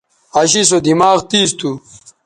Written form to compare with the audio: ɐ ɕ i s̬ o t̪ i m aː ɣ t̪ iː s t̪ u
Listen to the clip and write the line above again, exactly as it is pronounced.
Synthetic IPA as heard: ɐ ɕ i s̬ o d̪ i m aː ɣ t̪ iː s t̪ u

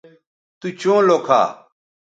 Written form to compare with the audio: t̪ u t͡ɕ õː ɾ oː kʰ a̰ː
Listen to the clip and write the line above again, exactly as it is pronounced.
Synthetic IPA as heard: t̪ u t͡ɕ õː l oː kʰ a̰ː

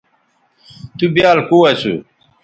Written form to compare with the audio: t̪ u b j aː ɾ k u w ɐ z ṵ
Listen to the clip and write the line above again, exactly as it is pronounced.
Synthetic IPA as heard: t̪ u b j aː l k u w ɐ s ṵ

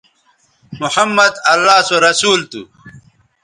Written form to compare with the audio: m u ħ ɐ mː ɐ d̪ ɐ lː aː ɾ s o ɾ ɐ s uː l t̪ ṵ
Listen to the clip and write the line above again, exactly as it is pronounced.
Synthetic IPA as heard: m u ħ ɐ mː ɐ d̪ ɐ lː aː s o ɾ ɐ s uː l t̪ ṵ

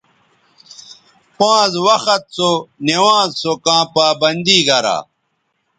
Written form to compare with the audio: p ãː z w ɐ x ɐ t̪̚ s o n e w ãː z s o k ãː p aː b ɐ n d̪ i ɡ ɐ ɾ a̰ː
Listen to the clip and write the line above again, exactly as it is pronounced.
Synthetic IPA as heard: p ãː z w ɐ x ɐ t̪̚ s o n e w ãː z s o k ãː p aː b ɐ n d̪ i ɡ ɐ ɾ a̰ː

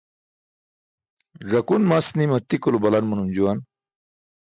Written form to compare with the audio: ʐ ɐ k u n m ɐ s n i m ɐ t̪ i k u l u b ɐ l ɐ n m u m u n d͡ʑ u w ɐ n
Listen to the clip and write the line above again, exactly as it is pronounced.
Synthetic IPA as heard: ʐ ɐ k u n m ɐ s n i m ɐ t̪ i k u l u b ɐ l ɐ n m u n u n d͡ʑ u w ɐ n

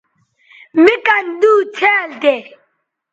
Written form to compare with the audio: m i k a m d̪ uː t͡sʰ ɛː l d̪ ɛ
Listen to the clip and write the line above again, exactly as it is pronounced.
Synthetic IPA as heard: m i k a n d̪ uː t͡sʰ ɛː l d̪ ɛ

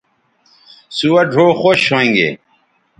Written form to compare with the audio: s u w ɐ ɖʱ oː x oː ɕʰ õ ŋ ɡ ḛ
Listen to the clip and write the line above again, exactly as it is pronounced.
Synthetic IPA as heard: s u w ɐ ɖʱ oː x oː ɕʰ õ ŋ ɡ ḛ

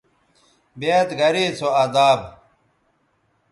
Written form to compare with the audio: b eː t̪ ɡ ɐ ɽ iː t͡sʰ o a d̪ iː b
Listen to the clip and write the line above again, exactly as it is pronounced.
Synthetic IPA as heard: b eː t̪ ɡ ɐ ɾ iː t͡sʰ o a d̪ aː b

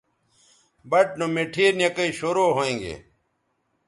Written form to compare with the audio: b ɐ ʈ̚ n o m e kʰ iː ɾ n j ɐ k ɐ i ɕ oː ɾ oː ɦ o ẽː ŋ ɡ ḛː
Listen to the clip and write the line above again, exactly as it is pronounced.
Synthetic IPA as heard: b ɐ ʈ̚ n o m e ʈʰ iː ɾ n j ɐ k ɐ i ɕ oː ɾ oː ɦ o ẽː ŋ ɡ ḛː

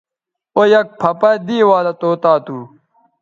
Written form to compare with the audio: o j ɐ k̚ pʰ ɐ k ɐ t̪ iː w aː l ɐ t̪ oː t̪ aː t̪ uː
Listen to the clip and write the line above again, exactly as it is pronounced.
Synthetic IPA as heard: o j ɐ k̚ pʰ ɐ p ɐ d̪ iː w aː l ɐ t̪ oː t̪ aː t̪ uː

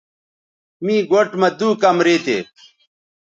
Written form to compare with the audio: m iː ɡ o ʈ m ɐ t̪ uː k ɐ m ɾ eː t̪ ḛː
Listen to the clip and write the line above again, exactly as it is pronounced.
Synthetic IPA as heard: m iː ɡ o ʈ m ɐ d̪ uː k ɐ m ɾ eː t̪ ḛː

